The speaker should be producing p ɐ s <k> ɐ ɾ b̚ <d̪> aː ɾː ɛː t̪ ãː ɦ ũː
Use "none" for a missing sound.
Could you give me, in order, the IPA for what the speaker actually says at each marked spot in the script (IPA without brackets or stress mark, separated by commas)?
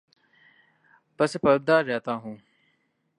p, d̪